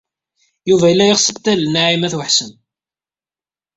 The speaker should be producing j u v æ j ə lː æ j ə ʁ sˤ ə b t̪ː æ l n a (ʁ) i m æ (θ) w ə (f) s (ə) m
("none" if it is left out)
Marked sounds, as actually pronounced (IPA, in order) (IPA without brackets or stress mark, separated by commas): ʕ, θ, ħ, ə